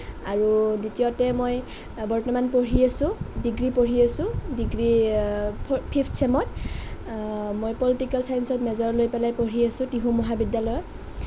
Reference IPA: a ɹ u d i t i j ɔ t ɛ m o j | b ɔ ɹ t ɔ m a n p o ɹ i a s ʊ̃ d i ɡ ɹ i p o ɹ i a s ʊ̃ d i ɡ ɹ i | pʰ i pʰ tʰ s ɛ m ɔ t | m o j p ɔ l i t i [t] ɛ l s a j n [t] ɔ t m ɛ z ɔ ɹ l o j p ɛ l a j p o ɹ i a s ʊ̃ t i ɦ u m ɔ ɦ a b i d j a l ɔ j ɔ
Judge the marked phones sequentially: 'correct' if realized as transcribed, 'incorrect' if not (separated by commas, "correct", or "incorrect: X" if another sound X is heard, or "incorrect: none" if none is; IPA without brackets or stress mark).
incorrect: k, incorrect: s